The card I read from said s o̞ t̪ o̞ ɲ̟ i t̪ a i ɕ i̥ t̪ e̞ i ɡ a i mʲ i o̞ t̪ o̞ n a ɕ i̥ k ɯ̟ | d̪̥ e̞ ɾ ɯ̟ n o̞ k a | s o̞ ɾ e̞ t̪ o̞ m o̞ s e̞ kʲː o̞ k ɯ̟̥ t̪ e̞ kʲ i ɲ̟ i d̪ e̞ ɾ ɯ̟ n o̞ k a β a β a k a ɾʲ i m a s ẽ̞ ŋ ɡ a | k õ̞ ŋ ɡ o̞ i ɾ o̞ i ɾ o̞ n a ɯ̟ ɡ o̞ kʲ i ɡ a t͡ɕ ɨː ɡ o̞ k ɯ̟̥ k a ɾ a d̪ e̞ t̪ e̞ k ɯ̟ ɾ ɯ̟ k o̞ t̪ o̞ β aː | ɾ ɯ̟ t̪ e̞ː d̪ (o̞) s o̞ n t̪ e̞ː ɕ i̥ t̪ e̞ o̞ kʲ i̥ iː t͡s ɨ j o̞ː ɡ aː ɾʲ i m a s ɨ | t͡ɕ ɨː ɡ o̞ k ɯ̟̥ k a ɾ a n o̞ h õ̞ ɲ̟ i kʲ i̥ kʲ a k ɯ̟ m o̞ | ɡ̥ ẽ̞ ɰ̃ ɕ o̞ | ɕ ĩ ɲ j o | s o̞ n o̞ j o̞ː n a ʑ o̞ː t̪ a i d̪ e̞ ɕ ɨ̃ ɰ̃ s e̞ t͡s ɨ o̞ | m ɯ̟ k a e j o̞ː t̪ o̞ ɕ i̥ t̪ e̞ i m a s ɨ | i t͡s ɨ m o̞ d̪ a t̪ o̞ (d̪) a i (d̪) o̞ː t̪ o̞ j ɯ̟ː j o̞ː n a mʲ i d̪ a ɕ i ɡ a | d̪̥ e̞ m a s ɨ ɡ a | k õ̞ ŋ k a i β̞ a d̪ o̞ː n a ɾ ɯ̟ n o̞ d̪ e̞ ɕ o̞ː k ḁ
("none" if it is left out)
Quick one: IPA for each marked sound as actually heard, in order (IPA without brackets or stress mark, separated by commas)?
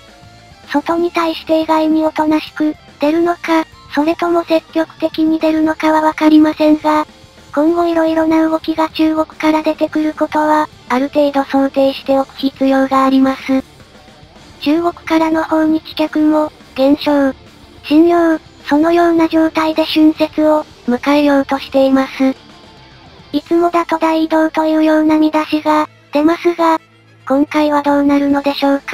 o̞, d̪, d̪